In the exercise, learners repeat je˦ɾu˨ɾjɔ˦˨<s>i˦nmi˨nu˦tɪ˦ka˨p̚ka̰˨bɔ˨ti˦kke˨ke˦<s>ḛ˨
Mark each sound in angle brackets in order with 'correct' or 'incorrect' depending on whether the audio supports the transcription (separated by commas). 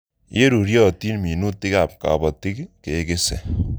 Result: incorrect, correct